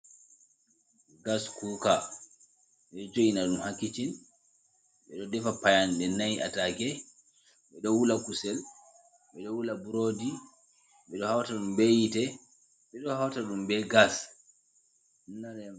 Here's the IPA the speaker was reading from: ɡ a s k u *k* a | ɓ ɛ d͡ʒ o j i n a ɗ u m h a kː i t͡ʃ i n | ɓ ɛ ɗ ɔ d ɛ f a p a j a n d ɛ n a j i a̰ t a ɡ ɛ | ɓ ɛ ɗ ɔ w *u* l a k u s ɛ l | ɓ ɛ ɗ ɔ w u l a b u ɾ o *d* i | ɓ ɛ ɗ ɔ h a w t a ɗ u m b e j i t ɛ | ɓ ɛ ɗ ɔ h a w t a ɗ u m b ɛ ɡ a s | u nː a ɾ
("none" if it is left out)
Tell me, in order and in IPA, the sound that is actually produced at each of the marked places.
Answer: k, u, d

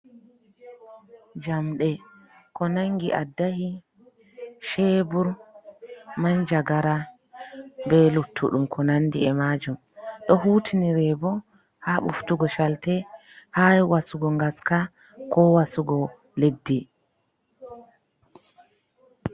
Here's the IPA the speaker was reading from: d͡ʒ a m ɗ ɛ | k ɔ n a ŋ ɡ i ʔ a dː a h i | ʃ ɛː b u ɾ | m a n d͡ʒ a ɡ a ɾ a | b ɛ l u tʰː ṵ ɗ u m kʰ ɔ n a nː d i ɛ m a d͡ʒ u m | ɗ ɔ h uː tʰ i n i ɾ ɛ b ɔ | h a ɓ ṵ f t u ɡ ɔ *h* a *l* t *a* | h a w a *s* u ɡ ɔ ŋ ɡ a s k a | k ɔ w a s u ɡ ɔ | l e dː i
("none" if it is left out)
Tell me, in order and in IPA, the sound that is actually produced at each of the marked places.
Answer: ʃ, l, ɛ, s

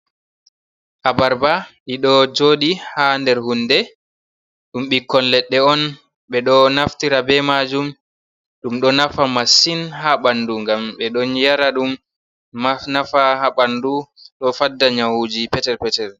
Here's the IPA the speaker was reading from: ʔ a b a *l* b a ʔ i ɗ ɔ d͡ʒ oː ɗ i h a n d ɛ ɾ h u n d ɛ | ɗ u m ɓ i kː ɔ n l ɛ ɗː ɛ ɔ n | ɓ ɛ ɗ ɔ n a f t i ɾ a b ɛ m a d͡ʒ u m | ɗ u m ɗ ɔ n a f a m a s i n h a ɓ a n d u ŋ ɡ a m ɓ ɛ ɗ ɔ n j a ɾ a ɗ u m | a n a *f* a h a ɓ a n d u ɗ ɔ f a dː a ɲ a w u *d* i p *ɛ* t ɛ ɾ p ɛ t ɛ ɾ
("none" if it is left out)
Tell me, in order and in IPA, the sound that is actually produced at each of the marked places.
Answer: ɾ, f, d͡ʒ, ɛ

